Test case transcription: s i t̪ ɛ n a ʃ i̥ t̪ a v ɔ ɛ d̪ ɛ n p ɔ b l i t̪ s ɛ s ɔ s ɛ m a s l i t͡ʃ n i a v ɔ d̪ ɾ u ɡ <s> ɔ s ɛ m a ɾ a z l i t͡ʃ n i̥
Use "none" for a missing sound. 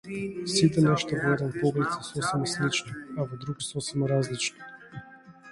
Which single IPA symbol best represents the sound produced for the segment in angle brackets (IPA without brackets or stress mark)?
s